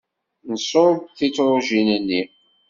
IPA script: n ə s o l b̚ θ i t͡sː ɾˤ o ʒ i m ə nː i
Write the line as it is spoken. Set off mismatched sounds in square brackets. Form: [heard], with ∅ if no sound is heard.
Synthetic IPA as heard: n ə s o [ɾ] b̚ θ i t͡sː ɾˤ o ʒ i [n] ə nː i